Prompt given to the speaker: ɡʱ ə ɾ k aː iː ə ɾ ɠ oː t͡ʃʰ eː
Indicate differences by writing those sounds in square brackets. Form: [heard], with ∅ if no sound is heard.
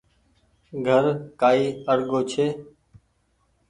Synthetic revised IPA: ɡʱ ə ɾ k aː iː ə ɾ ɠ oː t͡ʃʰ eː